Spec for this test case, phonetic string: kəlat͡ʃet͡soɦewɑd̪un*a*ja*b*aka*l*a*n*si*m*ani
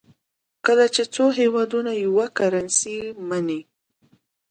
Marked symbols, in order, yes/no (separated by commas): yes, no, no, yes, yes